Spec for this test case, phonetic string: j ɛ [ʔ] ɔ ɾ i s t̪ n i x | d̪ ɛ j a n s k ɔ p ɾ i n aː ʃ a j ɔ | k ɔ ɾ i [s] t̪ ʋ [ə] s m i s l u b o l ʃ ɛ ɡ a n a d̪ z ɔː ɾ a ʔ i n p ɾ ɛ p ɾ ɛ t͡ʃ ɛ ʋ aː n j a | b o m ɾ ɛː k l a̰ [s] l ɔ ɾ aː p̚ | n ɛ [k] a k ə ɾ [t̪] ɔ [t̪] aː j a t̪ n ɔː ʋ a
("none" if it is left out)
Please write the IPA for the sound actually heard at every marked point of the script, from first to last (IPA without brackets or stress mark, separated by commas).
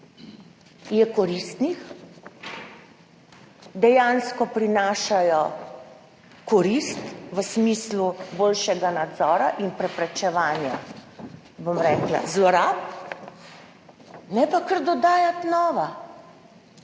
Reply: k, s, ə, z, p, d̪, d̪